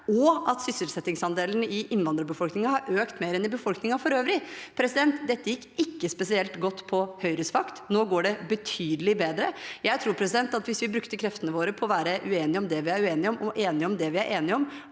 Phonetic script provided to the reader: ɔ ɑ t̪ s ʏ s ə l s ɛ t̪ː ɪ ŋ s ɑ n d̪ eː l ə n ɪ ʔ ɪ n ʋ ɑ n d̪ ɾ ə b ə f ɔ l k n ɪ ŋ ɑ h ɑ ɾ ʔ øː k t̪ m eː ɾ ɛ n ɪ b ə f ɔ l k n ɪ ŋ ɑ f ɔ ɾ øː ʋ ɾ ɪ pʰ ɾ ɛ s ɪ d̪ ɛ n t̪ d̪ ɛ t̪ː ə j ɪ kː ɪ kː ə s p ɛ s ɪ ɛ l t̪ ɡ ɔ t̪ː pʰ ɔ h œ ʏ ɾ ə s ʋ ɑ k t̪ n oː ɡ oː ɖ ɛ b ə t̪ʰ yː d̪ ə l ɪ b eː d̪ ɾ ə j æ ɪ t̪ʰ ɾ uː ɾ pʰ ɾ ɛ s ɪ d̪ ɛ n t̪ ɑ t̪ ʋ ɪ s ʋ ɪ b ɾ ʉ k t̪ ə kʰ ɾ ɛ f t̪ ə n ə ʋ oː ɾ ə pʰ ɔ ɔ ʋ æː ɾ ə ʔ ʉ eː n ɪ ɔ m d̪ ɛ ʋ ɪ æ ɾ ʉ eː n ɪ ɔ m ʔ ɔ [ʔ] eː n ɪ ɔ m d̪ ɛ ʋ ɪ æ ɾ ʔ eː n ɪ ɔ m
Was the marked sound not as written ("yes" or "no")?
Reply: no